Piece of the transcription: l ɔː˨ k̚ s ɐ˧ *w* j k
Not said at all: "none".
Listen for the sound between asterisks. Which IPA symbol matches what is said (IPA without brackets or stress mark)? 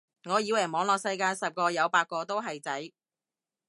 none